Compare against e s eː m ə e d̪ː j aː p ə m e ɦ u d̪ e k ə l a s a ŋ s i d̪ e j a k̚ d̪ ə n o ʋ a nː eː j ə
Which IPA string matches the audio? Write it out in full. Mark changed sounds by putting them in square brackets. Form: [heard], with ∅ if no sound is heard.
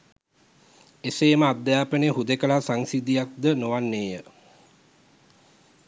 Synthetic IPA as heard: e s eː m ə [a] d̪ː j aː p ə [n] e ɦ u d̪ e k ə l a s a ŋ s i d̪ [i] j a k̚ d̪ ə n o ʋ a nː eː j ə